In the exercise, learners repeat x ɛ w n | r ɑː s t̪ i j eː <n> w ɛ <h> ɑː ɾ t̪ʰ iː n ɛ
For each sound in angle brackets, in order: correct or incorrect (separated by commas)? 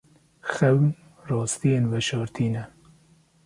correct, incorrect